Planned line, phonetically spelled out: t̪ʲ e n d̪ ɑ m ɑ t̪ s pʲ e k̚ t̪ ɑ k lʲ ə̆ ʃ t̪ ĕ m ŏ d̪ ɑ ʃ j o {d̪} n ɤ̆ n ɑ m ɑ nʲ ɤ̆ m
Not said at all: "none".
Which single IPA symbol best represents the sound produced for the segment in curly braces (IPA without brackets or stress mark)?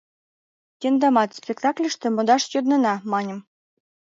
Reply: d̪